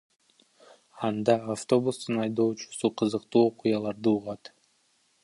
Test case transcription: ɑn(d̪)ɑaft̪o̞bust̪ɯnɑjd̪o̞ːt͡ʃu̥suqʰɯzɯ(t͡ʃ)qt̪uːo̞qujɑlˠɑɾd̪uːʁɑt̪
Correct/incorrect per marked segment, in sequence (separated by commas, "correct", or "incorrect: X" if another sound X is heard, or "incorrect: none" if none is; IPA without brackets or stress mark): correct, incorrect: none